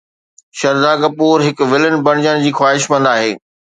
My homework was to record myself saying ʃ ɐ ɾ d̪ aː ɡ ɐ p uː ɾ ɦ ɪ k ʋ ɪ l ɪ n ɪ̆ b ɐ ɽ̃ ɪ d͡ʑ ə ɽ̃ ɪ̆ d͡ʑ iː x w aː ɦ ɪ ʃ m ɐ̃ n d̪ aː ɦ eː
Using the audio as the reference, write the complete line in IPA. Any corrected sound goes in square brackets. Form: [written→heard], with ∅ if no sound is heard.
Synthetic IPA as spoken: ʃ ɐ ɾ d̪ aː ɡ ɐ p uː ɾ ɦ ɪ k ʋ ɪ l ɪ n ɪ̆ b ɐ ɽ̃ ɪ d͡ʑ ə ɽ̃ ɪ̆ d͡ʑ iː x w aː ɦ ɪ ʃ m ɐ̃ n d̪ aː ɦ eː